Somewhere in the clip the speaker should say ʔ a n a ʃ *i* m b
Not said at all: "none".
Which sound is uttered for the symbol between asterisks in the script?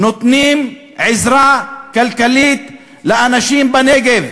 iː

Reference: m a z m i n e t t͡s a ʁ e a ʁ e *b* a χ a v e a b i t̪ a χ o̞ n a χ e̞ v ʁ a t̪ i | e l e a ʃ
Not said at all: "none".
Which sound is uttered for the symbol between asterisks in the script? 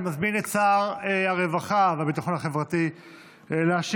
v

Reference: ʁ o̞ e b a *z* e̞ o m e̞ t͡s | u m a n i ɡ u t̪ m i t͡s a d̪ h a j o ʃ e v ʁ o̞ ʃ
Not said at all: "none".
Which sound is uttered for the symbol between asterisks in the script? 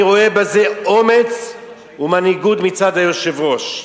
z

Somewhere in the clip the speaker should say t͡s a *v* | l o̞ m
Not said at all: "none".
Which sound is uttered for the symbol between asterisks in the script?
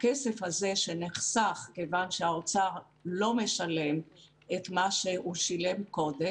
ʁ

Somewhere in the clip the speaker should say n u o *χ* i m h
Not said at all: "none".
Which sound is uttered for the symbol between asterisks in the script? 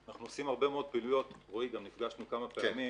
s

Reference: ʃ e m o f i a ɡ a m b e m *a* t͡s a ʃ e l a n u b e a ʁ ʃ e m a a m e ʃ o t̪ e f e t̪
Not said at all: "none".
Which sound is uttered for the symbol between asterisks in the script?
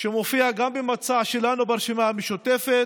a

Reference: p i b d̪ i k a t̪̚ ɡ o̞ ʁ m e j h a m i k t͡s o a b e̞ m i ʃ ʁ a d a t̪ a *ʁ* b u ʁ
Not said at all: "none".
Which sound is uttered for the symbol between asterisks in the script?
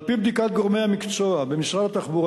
χ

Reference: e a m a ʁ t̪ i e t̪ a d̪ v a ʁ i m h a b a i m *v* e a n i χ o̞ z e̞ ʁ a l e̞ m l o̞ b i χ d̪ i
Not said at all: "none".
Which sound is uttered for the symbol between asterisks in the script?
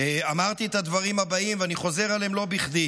v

